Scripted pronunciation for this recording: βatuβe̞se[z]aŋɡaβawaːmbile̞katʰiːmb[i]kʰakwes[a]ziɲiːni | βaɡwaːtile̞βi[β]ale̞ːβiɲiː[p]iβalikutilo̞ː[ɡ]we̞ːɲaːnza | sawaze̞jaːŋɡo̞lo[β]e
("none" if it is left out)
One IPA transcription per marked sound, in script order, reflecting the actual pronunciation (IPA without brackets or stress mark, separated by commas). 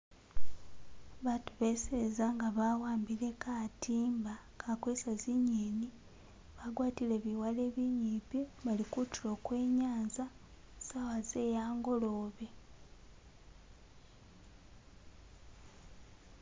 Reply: z, a, a, w, p, k, β